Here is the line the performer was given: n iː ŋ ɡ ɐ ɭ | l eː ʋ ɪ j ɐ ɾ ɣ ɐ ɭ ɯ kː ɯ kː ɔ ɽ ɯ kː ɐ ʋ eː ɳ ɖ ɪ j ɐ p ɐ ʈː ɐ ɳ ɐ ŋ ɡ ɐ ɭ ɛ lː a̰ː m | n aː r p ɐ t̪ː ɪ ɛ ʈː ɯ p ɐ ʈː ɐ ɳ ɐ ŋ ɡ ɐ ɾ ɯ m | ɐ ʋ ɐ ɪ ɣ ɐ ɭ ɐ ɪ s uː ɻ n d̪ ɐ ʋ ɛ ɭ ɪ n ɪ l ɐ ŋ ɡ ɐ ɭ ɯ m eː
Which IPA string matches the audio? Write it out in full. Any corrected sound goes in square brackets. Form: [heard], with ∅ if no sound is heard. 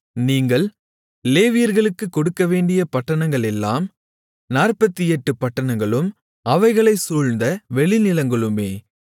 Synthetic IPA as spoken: n iː ŋ ɡ ɐ ɭ | l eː ʋ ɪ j ɐ ɾ ɣ ɐ ɭ ɯ kː ɯ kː ɔ ɽ ɯ kː ɐ ʋ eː ɳ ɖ ɪ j ɐ p ɐ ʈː ɐ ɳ ɐ ŋ ɡ ɐ ɭ ɛ lː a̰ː m | n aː r p ɐ t̪ː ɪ ɛ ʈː ɯ p ɐ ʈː ɐ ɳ ɐ ŋ ɡ ɐ [ɭ] ɯ m | ɐ ʋ ɐ ɪ ɣ ɐ ɭ ɐ ɪ s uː ɻ n d̪ ɐ ʋ ɛ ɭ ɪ n ɪ l ɐ ŋ ɡ ɐ ɭ ɯ m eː